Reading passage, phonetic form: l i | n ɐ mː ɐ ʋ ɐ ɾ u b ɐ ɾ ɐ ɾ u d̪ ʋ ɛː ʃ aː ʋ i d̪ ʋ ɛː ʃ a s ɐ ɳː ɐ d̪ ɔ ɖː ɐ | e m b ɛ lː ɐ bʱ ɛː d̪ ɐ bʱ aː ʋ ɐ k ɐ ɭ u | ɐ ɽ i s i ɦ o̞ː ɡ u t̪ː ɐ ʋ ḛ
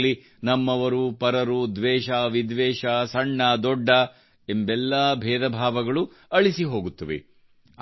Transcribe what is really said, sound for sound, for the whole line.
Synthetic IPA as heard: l i | n ɐ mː ɐ ʋ ɐ ɾ u p ɐ ɾ ɐ ɾ u d̪ ʋ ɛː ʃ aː ʋ i d̪ ʋ ɛː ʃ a s ɐ ɳː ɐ d̪ ɔ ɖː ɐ | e m b ɛ lː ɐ bʱ ɛː d̪ ɐ bʱ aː ʋ ɐ ɡ ɐ ɭ u | ɐ ɭ i s i ɦ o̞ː ɡ u t̪ː ɐ ʋ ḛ